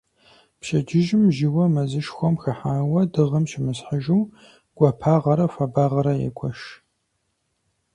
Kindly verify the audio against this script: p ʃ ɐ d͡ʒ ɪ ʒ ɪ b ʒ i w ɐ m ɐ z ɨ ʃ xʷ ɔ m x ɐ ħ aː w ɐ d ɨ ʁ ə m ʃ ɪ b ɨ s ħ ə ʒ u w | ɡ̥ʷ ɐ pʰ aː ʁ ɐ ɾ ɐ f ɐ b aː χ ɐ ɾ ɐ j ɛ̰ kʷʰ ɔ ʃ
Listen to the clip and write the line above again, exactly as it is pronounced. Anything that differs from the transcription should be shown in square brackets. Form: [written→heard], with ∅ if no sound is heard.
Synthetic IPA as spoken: p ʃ ɐ d͡ʒ ɪ ʒ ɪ [b→m] ʒ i w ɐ m ɐ z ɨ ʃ xʷ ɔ m x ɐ ħ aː w ɐ d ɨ ʁ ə m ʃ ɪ [b→m] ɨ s ħ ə ʒ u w | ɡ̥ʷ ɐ pʰ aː ʁ ɐ ɾ ɐ f ɐ b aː [χ→ʁ] ɐ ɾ ɐ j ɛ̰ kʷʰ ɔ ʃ